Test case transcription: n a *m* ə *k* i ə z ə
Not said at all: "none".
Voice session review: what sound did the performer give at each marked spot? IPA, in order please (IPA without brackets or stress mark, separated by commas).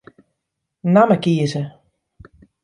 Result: m, k